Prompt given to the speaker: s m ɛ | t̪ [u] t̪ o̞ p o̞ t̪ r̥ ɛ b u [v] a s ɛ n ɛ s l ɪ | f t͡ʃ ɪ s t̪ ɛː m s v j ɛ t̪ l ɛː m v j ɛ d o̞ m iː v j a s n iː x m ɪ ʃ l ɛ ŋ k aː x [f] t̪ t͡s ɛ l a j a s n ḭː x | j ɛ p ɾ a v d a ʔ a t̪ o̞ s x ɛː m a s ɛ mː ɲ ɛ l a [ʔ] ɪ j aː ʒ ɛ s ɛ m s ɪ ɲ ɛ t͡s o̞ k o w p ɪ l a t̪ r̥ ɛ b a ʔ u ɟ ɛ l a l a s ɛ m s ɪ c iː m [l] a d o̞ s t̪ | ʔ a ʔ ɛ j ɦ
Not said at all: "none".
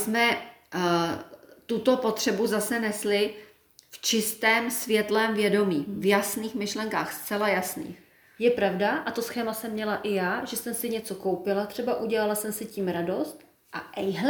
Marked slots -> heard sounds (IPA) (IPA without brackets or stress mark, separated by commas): u, z, s, ʔ, ɾ